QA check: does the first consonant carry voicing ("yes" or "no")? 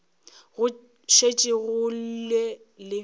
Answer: yes